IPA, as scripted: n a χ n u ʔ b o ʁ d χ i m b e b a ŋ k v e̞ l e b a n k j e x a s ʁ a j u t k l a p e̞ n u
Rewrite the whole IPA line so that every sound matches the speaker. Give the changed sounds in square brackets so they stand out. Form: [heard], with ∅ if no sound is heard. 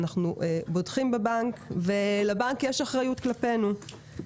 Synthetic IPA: n a χ n u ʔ b o [∅] d χ i m b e b a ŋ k v e̞ l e b a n k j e [ʃ] a [χ] ʁ a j u t k l a p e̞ n u